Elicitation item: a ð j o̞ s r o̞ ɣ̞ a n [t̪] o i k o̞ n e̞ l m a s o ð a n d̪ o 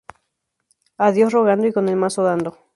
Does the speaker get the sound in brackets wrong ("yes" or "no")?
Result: yes